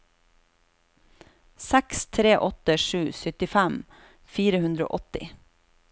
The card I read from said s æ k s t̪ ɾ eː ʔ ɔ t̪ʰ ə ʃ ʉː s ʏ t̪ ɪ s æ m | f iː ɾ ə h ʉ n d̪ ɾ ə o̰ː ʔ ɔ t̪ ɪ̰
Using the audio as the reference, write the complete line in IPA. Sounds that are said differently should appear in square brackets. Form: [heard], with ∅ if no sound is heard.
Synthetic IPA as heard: s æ k s [t̪ʰ] ɾ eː ʔ ɔ [t̪] ə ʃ ʉː s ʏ t̪ ɪ [f] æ m | f iː ɾ ə h ʉ n d̪ ɾ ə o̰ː ʔ ɔ t̪ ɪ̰